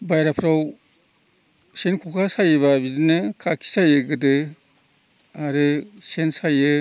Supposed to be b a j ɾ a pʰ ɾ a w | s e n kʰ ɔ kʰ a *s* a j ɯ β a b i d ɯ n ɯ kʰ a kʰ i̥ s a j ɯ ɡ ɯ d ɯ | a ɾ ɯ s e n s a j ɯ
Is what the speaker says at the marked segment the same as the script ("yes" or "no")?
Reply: yes